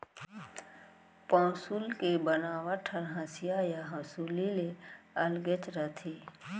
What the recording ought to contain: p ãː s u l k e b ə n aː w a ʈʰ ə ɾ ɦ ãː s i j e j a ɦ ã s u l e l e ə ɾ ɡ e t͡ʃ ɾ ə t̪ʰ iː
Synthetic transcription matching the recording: p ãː s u l k e b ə n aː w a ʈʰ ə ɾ ɦ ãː s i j a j a ɦ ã s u l i l e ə l ɡ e t͡ʃ ɾ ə t̪ʰ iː